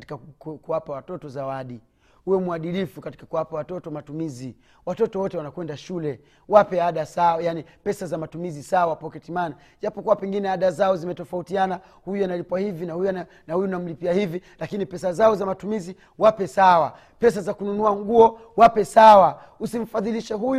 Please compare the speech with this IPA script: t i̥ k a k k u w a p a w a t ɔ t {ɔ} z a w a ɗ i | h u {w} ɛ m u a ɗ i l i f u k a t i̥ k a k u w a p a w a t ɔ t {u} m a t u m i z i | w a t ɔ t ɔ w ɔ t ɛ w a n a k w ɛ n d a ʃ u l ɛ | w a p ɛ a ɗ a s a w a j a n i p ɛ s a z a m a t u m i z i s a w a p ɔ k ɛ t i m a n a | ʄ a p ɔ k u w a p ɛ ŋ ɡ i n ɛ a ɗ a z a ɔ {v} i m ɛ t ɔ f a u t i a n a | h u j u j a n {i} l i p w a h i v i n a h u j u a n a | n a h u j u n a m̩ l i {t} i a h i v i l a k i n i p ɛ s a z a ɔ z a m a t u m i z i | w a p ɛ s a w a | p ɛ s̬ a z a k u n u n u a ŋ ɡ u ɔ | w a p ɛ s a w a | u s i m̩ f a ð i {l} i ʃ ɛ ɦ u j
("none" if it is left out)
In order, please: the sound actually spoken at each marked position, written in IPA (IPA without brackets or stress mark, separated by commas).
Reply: ɔ, w, ɔ, z, a, p, l